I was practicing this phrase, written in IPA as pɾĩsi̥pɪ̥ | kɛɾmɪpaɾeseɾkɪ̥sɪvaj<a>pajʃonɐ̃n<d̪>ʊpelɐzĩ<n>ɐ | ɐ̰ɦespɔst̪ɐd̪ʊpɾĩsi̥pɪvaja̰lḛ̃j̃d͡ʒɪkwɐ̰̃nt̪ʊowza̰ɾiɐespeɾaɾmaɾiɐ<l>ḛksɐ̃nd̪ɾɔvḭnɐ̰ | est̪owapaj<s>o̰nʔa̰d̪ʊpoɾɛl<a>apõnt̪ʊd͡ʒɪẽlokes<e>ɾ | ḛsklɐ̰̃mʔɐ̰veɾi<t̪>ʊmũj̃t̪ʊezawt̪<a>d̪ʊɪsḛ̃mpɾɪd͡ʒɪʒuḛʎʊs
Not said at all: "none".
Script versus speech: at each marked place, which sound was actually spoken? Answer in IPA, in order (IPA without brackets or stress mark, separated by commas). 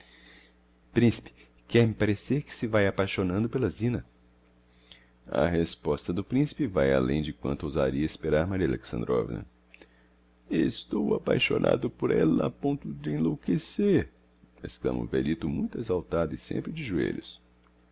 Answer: a, d̪, n, l, ʃ, ɐ, e, t̪, a